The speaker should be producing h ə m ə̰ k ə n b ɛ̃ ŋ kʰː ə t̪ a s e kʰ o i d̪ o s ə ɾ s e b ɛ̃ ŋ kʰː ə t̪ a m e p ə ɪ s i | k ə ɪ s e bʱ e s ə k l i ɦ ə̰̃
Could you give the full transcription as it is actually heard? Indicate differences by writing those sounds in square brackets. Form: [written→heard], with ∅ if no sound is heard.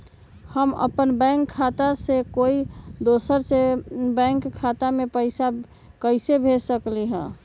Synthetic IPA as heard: h ə m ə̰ [k→p] ə n b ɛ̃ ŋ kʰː [ə→a] t̪ a s e [kʰ→k] o i d̪ o s ə ɾ s e b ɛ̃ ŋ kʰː [ə→a] t̪ a m e p ə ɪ s [i→a] | k ə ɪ s e bʱ e s ə k l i ɦ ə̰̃

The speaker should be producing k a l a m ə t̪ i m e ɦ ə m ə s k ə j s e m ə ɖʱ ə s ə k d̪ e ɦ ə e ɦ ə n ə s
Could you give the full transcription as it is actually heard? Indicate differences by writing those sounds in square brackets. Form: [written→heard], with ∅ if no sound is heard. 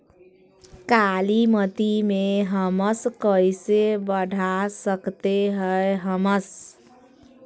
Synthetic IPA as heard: k a l [a→i] m ə t̪ i m e ɦ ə m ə s k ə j s e [m→b] ə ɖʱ [ə→a] s ə k [d̪→t̪] e ɦ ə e ɦ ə [n→m] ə s

